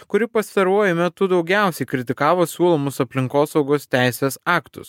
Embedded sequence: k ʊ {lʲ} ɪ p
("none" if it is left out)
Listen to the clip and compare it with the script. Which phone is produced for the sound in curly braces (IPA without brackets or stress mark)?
ɾʲ